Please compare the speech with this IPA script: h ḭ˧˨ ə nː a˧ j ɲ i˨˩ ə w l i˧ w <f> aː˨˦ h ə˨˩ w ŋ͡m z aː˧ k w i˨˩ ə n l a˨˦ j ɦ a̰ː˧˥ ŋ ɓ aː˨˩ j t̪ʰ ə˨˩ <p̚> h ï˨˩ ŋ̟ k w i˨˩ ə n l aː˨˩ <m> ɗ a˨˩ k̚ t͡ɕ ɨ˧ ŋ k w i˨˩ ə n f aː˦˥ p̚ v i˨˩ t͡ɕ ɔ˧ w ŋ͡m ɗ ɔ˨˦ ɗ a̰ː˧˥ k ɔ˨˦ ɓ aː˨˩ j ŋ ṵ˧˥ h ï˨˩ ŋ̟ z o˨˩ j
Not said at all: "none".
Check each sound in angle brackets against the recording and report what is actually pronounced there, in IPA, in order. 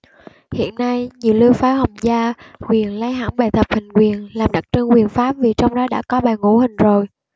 f, p̚, m

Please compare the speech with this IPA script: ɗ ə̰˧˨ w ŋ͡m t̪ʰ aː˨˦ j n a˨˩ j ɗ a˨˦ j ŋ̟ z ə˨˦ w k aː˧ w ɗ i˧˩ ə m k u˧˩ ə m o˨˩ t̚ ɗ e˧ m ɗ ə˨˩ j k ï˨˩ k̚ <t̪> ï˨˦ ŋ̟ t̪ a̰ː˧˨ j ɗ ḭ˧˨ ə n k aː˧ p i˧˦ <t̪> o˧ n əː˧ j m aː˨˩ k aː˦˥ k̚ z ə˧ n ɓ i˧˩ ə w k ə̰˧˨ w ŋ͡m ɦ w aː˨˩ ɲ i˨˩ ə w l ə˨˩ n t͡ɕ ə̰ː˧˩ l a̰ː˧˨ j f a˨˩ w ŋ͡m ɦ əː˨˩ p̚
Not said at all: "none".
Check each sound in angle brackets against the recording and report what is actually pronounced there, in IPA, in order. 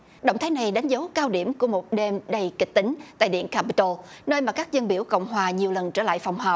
t̪, t̪

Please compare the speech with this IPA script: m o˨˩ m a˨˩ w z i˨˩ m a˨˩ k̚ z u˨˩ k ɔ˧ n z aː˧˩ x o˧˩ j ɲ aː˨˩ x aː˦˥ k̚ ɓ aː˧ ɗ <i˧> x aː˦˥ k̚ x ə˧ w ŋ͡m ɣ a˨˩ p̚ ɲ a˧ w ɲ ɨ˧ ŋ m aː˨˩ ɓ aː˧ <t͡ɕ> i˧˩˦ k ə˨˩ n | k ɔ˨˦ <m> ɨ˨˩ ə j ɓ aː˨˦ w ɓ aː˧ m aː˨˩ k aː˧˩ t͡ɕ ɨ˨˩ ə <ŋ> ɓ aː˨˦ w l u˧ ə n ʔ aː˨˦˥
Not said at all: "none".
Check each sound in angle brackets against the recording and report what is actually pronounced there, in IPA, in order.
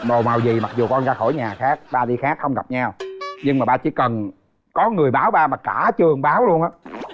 i˧, t͡ɕ, ŋ, ŋ

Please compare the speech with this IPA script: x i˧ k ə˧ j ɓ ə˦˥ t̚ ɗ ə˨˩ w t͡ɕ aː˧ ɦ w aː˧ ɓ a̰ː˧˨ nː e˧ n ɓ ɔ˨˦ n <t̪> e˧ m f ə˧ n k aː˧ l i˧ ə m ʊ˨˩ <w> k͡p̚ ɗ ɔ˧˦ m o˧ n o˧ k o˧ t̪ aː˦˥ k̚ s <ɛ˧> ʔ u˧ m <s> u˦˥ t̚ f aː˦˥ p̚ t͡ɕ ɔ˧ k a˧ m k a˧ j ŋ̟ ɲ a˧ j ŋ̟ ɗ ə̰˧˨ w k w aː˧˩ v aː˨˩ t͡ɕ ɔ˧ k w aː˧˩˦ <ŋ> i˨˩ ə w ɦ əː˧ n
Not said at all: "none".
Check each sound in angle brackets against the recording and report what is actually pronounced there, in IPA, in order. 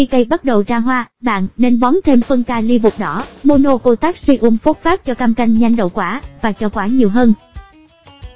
t̪ʰ, none, i˧, f, ɲ

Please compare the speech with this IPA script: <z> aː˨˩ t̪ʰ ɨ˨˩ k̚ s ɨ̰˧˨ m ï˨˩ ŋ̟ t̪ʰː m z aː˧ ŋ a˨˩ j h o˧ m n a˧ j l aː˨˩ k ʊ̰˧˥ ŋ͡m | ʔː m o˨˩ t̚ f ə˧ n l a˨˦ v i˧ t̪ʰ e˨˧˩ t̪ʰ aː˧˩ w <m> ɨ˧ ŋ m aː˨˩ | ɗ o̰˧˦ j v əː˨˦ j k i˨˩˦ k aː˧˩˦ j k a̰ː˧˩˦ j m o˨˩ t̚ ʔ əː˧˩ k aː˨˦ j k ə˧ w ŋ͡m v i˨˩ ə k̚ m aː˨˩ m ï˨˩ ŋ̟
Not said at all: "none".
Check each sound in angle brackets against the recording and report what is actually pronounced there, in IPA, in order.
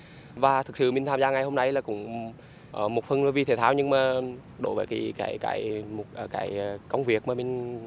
v, ɲ

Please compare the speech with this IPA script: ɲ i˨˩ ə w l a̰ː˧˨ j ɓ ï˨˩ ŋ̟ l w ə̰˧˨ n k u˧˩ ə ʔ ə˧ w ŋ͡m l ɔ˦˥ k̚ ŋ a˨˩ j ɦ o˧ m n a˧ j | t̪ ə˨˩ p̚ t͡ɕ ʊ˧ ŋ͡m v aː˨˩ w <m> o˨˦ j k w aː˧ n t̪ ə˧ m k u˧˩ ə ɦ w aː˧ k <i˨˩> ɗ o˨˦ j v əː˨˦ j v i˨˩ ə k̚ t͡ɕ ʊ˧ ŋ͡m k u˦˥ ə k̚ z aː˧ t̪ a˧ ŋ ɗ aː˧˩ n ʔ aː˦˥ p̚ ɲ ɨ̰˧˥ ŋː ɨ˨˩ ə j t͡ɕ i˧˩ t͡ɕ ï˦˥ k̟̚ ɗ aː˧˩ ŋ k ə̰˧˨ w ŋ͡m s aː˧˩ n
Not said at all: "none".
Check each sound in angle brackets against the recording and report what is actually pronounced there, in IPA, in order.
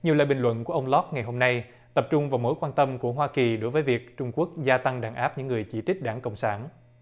m, i˨˩

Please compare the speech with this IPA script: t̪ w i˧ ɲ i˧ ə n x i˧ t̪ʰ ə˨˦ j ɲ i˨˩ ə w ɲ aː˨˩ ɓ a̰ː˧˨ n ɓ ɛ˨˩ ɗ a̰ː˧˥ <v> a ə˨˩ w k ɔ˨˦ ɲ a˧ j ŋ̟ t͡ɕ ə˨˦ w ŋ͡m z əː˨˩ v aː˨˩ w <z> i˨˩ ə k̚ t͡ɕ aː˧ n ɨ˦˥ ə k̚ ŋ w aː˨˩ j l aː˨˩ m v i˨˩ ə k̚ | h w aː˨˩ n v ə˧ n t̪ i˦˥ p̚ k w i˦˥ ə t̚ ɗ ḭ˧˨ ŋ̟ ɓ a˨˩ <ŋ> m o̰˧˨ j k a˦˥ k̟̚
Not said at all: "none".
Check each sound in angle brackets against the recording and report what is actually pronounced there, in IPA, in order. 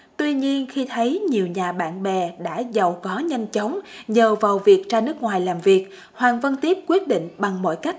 z, v, ŋ

